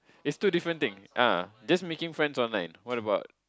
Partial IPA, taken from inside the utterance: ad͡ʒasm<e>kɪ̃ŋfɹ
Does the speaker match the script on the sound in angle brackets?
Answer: yes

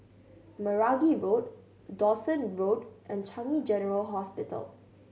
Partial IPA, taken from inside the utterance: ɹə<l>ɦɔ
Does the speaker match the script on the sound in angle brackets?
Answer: yes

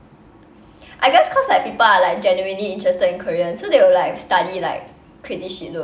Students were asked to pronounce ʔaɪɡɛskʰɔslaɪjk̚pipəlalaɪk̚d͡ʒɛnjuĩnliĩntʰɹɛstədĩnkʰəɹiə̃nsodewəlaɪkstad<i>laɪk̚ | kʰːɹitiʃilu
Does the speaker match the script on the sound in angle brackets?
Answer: yes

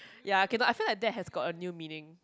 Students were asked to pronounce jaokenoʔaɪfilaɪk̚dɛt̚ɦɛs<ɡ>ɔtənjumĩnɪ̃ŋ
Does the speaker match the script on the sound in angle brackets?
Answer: yes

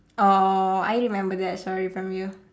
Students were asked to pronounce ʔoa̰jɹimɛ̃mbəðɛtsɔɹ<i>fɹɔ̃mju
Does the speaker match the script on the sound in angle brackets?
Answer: yes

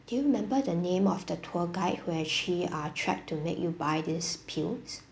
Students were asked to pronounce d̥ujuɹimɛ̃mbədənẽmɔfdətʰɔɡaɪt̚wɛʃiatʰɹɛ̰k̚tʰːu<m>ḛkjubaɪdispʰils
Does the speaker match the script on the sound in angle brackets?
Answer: yes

